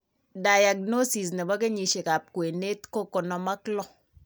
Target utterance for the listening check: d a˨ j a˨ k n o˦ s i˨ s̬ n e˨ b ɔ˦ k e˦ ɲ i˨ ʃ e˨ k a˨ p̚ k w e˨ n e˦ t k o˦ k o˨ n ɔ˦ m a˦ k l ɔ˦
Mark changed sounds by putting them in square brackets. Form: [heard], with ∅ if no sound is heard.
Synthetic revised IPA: d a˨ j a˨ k n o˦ s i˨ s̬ n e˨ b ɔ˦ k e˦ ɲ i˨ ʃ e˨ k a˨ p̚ k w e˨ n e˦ t k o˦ k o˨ n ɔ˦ m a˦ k l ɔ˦